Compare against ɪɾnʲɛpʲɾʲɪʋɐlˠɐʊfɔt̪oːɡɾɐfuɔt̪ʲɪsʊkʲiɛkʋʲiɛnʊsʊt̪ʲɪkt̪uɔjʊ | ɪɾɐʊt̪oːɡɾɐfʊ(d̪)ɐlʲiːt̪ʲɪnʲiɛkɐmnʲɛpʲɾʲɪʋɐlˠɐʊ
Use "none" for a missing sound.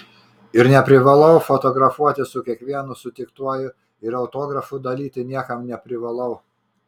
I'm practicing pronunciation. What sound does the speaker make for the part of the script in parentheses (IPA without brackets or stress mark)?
d̪